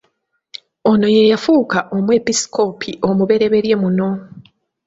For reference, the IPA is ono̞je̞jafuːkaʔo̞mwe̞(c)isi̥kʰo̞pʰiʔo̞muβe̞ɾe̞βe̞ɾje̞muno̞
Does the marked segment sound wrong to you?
yes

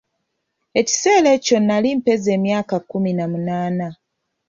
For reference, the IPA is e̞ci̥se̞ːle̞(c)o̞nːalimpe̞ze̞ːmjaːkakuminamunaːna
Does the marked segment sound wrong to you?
no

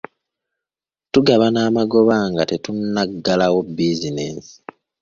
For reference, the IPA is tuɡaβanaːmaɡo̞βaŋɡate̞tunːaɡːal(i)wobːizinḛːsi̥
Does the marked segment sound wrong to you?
yes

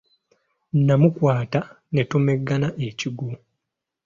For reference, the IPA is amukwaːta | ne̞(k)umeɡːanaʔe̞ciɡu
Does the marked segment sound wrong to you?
yes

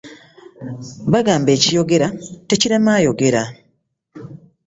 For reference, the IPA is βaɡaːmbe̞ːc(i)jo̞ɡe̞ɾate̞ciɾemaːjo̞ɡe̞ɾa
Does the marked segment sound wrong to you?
no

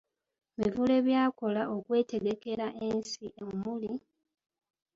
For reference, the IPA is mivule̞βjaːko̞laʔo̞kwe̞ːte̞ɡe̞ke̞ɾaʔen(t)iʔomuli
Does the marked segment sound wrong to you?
yes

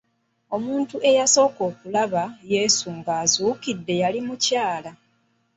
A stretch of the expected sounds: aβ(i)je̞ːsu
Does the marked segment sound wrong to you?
yes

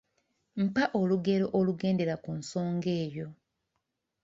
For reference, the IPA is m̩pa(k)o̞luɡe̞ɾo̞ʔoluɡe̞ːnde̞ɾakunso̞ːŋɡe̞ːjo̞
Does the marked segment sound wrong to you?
yes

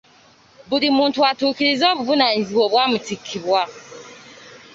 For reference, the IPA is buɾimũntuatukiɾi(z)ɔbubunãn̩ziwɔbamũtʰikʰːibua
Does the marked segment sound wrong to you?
no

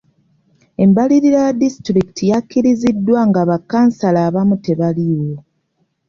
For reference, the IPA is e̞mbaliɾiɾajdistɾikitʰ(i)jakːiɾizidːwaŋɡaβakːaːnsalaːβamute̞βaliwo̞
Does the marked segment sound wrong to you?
no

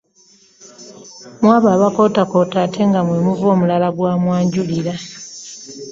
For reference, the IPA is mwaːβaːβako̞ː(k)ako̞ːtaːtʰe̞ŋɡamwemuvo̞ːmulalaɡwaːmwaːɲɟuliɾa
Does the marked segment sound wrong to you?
yes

